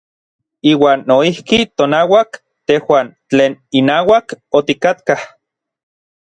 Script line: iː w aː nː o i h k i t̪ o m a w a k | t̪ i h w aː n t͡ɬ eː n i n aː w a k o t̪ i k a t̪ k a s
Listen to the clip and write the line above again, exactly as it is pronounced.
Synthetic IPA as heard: iː w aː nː o i h k i t̪ o n a w a k | t̪ e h w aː n t͡ɬ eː n i n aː w a k o t̪ i k a t̪ k a h

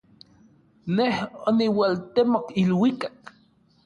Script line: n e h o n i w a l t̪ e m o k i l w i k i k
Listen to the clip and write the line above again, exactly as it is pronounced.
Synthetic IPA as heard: n e h o n i w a l t̪ e m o k i l w i k a k

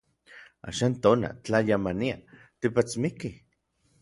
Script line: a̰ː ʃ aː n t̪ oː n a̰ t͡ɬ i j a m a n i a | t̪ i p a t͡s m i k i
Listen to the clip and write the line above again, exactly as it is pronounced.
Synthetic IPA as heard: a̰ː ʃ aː n t̪ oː n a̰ t͡ɬ a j a m a n i a | t̪ i p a t͡s m i k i

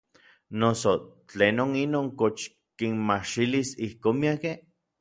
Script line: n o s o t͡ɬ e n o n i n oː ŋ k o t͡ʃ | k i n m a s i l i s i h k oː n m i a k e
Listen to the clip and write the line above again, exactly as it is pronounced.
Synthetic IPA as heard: n o s o t͡ɬ e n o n i n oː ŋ k o t͡ʃ | k i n m a ʃ i l i s i h k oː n m i a k e

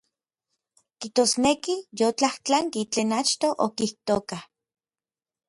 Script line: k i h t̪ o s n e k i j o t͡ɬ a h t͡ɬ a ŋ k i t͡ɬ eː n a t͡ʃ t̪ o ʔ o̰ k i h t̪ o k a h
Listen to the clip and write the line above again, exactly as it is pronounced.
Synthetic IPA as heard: k i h t̪ o s n e k i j o t͡ɬ a h t͡ɬ a ŋ k i t͡ɬ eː n a t͡ʃ t̪ o ʔ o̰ k i h t̪ o k a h

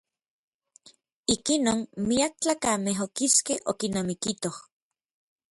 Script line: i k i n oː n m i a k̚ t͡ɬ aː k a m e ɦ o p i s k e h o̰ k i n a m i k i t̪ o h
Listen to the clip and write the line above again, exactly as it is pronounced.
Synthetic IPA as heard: i k i n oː n m i a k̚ t͡ɬ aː k a m e ɦ o k i s k e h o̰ k i n a m i k i t̪ o h

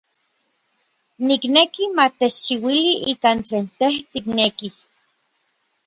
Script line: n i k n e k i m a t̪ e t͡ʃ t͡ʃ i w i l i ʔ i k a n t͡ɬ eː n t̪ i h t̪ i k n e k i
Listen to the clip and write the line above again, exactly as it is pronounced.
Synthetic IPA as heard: n i k n e k i m a t̪ e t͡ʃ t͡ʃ i w i l i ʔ i k a n t͡ɬ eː n t̪ e h t̪ i k n e k i

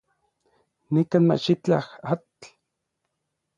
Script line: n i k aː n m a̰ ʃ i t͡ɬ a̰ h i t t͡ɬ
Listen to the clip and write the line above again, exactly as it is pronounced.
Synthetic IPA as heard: n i k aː n m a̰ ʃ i t͡ɬ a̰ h a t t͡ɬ

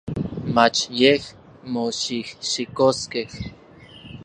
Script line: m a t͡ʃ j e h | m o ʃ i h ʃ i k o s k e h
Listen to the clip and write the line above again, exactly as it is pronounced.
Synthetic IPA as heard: m a t͡ʃ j e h | m o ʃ i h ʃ i k o s k e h

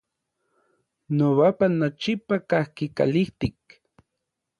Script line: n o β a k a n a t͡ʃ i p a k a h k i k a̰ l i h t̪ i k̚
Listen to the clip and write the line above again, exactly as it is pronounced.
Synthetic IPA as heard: n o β a p a n a t͡ʃ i p a k a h k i k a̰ l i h t̪ i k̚

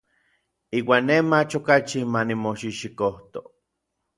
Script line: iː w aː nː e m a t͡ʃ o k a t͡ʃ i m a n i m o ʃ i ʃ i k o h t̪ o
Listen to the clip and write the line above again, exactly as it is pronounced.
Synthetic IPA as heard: iː w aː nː e m a t͡ʃ o k a t͡ʃ i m a n i m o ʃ i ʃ i k o h t̪ o

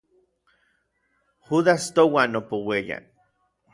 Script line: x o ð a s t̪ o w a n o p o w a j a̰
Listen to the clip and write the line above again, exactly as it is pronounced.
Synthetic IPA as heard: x u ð a s t̪ o w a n o p o w e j a̰

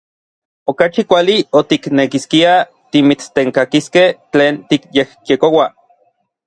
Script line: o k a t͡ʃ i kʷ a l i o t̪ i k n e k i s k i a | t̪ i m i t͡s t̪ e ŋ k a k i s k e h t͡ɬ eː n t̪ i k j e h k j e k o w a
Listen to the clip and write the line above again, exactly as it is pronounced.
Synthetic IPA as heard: o k a t͡ʃ i kʷ a l i o t̪ i k n e k i s k i a | t̪ i m i t͡s t̪ e ŋ k a k i s k e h t͡ɬ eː n t̪ i k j e h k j e k o w a

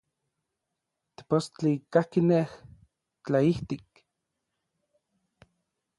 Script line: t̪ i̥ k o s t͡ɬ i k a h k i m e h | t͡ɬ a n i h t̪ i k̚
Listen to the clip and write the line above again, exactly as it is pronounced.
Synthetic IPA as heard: t̪ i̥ p o s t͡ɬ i k a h k i n e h | t͡ɬ a i h t̪ i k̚

